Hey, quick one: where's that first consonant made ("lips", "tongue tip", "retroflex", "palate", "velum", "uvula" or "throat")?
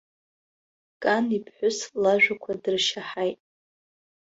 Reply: velum